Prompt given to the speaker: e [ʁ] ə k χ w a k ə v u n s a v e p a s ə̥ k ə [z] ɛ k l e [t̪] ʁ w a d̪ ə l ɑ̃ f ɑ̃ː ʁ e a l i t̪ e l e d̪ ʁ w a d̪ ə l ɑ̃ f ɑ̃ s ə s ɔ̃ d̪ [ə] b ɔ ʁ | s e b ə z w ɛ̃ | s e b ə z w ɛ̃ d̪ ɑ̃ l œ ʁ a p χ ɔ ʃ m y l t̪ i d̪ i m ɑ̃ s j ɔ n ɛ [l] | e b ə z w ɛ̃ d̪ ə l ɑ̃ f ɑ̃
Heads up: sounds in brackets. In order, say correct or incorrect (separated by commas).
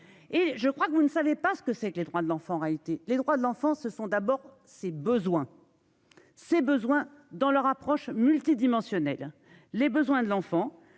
incorrect, incorrect, incorrect, incorrect, incorrect